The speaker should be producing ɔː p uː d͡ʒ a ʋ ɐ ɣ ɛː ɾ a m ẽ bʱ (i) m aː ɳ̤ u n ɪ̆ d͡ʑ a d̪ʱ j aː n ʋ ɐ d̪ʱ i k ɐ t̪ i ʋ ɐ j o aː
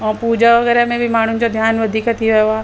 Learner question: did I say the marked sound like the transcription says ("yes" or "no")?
yes